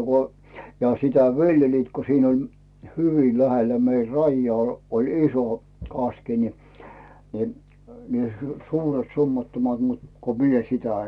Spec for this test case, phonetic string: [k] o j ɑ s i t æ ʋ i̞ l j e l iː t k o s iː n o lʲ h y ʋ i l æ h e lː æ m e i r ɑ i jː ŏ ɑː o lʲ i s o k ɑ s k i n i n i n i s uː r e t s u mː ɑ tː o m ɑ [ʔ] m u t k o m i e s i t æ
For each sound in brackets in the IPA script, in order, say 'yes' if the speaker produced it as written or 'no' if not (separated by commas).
yes, no